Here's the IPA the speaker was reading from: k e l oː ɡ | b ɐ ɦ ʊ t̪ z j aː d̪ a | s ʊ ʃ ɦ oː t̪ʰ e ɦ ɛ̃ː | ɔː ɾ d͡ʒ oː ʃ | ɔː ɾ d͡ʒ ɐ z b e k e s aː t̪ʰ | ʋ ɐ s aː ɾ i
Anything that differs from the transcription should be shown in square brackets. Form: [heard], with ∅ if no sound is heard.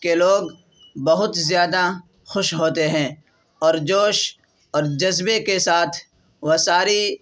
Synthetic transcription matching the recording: k e l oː ɡ | b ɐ ɦ ʊ t̪ z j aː d̪ a | [x] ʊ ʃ ɦ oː [t̪] e ɦ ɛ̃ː | ɔː ɾ d͡ʒ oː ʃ | ɔː ɾ d͡ʒ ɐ z b e k e s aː t̪ʰ | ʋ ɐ s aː ɾ i